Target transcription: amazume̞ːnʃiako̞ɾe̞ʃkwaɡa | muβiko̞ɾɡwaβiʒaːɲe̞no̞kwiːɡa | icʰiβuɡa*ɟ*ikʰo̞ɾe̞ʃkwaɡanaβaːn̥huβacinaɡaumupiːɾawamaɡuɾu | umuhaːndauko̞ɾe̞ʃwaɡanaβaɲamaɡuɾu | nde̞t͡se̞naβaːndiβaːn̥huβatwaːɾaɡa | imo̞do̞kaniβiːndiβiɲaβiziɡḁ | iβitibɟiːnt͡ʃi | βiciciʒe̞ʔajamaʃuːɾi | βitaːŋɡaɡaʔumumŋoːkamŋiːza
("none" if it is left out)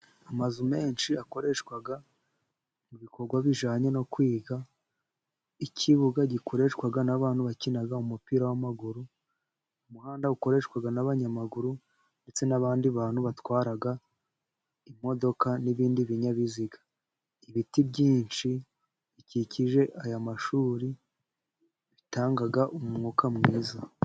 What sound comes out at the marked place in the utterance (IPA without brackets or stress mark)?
ɟ